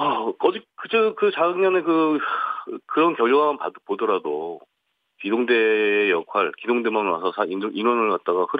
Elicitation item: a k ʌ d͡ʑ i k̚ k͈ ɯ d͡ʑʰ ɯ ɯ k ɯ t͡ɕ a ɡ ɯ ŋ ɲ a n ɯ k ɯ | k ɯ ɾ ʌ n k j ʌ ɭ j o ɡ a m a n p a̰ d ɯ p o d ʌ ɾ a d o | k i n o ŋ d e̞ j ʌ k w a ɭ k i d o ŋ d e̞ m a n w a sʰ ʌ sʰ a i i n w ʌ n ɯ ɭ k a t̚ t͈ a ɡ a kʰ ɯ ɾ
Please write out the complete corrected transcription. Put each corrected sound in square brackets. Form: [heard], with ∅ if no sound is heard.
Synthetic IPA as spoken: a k ʌ d͡ʑ i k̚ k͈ ɯ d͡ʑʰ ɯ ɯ k ɯ t͡ɕ a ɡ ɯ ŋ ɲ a n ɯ k ɯ | k ɯ ɾ ʌ n k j ʌ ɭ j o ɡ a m a n p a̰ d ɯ p o d ʌ ɾ a d o | k i [d] o ŋ d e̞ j ʌ [kʰ] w a ɭ k i d o ŋ d e̞ m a n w a sʰ ʌ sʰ a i i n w ʌ n ɯ ɭ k a t̚ t͈ a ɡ a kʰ ɯ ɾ